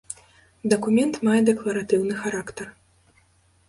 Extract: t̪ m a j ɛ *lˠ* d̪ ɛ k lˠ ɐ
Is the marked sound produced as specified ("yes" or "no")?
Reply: no